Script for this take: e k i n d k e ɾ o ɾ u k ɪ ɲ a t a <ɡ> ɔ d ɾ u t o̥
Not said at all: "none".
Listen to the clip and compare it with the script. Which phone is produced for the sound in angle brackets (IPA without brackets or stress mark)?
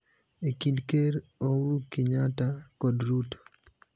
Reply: k